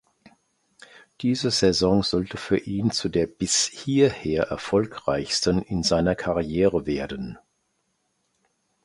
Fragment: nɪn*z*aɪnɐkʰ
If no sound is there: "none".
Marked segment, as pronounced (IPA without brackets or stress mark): z